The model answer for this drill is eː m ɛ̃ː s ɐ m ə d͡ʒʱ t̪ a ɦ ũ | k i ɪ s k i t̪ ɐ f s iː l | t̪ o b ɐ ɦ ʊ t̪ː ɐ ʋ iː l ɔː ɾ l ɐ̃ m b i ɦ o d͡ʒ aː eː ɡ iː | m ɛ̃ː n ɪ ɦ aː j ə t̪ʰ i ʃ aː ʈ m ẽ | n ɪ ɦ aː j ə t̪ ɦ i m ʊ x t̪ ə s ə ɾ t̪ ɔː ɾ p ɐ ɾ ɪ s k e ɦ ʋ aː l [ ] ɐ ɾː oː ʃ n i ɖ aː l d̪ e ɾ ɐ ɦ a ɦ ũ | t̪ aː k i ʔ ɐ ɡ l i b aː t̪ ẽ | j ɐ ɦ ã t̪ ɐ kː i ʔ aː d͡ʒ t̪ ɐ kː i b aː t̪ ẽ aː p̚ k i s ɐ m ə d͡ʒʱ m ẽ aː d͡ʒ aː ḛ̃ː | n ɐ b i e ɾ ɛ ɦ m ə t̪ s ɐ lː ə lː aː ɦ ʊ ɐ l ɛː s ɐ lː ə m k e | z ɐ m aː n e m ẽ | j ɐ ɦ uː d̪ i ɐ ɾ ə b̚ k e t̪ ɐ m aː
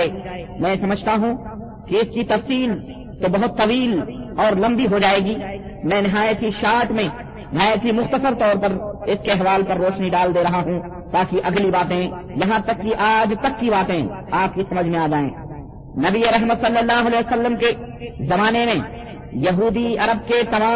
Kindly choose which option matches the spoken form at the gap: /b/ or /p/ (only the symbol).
p